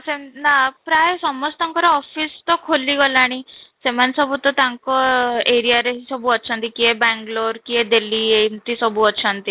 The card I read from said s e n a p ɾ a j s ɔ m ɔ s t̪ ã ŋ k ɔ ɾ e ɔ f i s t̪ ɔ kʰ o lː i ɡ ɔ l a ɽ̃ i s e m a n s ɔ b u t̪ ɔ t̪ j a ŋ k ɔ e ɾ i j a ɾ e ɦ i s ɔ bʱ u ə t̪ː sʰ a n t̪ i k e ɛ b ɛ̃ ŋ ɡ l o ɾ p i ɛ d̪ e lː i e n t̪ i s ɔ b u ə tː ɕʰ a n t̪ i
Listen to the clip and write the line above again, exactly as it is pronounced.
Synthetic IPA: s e n a p ɾ a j s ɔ m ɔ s t̪ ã ŋ k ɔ ɾ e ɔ f i s t̪ ɔ kʰ o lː i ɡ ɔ l a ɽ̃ i s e m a n s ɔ b u t̪ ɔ t̪ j a ŋ k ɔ e ɾ i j a ɾ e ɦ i s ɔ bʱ u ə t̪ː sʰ a n t̪ i k i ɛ b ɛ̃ ŋ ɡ l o ɾ k i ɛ d̪ e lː i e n t̪ i s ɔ b u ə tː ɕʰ a n t̪ i